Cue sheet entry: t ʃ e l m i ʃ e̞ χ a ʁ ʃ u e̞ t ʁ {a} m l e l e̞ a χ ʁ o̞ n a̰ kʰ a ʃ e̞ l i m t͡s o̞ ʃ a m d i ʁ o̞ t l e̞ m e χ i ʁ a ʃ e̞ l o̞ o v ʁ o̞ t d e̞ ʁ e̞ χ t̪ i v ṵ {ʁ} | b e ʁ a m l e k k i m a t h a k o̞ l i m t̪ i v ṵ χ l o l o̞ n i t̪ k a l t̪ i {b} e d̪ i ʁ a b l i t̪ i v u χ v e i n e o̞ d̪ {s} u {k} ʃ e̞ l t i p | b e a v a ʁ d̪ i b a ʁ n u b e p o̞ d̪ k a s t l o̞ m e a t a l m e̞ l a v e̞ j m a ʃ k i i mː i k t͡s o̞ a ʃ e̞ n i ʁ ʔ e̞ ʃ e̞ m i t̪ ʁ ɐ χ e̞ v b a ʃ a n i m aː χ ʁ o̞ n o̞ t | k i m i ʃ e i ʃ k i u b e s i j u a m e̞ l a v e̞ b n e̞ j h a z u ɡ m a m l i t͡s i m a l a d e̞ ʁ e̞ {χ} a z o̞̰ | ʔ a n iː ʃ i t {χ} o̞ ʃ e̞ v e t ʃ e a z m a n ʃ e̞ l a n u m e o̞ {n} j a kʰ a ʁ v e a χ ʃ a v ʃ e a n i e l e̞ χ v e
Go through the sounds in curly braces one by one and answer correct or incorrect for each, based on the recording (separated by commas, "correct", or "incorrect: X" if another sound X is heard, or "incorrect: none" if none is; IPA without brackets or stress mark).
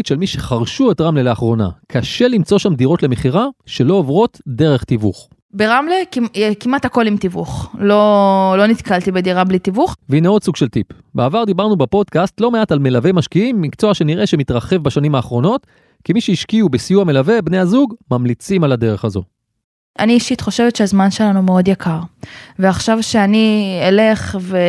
correct, incorrect: χ, correct, correct, incorrect: ɡ, correct, correct, incorrect: d